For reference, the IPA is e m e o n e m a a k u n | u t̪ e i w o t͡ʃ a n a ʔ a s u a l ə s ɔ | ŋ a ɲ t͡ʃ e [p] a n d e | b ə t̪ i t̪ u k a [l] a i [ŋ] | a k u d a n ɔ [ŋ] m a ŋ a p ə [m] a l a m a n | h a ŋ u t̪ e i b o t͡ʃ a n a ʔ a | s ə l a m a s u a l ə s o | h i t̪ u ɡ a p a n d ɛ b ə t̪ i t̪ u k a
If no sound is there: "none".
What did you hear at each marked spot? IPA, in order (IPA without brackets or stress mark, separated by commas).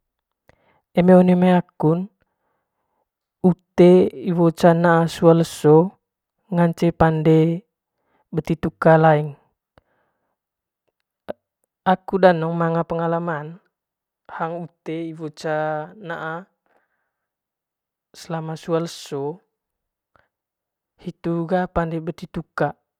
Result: p, l, ŋ, ŋ, ŋ